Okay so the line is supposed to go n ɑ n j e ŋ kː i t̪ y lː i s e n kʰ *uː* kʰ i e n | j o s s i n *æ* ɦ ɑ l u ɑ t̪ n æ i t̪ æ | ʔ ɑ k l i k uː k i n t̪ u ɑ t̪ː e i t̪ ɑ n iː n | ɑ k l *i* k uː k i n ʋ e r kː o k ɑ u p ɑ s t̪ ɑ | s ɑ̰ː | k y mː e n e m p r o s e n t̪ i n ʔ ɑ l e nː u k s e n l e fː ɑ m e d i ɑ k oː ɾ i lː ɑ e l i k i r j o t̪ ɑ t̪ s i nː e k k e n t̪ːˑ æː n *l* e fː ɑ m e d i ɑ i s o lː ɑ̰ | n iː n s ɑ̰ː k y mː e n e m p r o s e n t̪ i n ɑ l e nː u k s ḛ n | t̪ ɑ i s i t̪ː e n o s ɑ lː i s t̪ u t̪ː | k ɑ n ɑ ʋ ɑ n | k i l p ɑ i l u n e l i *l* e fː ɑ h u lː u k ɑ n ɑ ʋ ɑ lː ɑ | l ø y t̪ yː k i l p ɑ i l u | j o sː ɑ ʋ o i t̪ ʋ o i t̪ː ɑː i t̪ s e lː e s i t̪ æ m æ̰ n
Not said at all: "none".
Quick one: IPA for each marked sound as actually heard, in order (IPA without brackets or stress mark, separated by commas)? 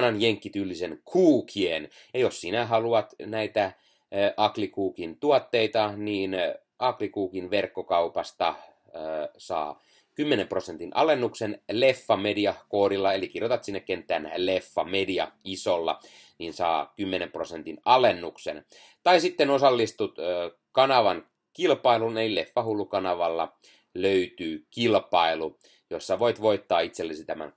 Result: uː, æ, i, l, l